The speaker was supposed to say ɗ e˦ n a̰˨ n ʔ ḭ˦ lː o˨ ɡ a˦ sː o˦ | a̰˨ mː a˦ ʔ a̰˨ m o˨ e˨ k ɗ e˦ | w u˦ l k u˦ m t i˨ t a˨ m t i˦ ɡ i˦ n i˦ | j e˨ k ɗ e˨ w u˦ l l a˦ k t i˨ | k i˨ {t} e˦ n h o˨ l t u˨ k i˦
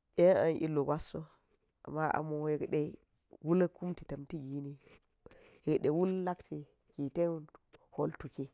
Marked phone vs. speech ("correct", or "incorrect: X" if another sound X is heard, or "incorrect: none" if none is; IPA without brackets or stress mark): correct